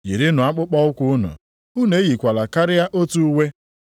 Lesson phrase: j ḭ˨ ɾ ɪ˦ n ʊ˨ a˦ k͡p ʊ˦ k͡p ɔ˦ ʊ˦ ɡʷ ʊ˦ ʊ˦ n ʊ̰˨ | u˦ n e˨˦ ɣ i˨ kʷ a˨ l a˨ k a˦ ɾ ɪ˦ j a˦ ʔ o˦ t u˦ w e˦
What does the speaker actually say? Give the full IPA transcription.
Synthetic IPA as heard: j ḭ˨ ɾ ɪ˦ n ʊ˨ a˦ k͡p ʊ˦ k͡p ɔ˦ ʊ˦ kʷ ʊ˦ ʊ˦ n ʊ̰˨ | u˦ n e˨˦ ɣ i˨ kʷ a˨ l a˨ k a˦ ɾ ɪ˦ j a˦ ʔ o˦ t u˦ w e˦